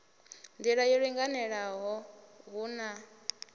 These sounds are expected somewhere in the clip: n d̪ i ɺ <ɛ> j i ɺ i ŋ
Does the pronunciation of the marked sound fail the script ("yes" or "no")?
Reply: yes